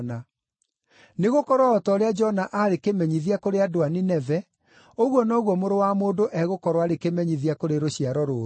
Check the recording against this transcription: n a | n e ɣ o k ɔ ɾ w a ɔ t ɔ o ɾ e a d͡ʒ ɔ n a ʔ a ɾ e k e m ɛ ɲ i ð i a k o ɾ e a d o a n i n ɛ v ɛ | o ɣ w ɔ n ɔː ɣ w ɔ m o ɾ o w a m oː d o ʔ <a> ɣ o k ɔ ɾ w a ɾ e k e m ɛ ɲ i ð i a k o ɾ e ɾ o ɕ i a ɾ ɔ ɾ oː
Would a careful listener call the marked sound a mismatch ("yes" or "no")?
yes